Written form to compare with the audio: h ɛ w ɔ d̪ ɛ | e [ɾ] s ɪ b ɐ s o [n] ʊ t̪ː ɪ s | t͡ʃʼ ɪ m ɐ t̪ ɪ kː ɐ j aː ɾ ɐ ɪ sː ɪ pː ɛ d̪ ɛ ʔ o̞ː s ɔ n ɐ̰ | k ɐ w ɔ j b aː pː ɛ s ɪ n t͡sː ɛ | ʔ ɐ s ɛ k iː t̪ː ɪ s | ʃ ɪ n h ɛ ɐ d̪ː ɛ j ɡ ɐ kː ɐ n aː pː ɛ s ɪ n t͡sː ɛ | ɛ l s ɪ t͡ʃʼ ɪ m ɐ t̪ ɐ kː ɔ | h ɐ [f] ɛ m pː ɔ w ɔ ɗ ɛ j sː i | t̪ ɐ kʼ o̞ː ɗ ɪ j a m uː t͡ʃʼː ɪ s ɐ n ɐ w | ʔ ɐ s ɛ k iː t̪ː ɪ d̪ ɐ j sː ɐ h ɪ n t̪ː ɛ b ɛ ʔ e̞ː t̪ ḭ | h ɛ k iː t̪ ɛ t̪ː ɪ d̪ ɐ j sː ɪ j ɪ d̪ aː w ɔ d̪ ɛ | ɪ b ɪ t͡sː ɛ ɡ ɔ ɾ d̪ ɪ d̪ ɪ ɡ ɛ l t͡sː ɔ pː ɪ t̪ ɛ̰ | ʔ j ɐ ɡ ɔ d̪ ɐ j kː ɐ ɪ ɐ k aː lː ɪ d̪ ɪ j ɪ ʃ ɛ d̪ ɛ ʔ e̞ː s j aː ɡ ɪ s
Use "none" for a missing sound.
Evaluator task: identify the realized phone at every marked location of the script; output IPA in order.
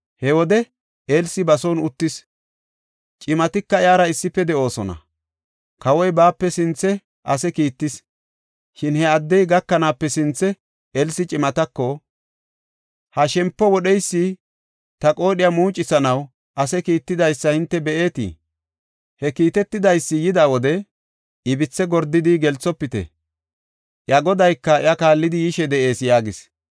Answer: l, n, ʃ

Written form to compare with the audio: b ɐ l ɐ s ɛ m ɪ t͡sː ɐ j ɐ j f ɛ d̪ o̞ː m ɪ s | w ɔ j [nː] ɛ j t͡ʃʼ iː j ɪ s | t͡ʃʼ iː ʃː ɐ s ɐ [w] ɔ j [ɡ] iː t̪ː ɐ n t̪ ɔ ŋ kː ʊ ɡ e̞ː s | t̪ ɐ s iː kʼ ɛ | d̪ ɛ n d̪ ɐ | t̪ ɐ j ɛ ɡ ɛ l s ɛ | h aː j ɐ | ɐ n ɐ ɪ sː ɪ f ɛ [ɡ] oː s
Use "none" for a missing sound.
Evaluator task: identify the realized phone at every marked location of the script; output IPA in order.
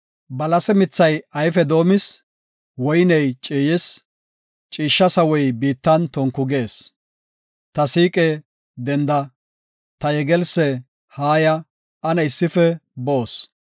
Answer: n, w, b, b

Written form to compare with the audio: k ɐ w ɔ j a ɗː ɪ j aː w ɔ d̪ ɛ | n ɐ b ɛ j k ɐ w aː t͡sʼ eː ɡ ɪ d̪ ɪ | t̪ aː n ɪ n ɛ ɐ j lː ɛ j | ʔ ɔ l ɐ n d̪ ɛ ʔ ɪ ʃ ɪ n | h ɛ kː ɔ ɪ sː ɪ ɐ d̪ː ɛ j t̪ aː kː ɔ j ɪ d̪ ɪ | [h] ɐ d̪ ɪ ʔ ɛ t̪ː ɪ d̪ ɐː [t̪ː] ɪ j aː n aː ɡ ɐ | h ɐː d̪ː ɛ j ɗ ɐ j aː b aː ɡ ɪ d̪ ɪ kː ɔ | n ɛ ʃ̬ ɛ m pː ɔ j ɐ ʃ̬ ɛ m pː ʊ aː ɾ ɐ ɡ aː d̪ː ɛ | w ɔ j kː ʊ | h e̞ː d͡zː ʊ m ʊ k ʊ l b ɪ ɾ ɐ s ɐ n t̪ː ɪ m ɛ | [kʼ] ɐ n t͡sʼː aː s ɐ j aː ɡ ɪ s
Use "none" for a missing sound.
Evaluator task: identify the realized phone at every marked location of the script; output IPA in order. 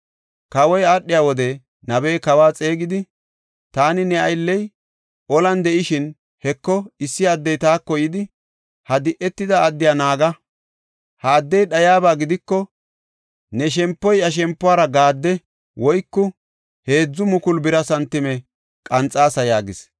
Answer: h, d̪ː, kʼ

